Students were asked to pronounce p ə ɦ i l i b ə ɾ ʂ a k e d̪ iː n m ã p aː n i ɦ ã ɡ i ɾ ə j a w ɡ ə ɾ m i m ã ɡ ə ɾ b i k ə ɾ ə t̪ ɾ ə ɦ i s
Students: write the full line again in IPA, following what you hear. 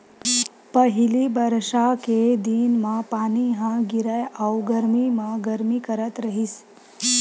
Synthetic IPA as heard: p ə ɦ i l i b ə ɾ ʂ a k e d̪ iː n m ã p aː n i ɦ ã ɡ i ɾ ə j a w ɡ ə ɾ m i m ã ɡ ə ɾ m i k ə ɾ ə t̪ ɾ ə ɦ i s